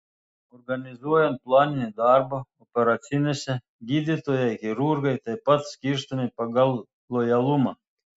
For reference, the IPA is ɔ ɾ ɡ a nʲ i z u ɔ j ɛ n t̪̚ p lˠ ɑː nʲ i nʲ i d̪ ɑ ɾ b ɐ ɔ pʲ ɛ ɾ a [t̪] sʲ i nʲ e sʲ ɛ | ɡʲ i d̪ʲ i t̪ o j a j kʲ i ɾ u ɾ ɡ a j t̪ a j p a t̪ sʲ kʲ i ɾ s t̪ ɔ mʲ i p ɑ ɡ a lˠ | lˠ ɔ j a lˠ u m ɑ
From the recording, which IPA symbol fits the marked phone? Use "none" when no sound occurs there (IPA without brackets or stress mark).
t̪